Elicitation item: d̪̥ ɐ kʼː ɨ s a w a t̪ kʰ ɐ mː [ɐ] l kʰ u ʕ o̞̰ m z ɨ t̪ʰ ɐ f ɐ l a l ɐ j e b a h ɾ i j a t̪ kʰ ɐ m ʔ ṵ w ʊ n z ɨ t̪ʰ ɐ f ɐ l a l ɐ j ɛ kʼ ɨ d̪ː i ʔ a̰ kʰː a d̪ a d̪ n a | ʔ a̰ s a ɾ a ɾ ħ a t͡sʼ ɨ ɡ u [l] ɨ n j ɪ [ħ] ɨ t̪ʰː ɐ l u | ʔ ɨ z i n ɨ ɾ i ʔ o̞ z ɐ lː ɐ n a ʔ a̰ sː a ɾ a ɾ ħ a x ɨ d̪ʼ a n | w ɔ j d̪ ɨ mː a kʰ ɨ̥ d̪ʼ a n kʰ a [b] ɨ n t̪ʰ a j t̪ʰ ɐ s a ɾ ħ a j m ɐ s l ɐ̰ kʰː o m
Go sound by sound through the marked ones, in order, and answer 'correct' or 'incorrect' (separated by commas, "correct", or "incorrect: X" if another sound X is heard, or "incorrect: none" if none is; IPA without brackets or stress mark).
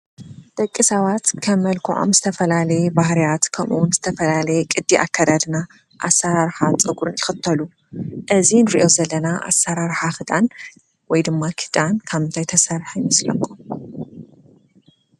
correct, incorrect: ɾ, incorrect: x, incorrect: β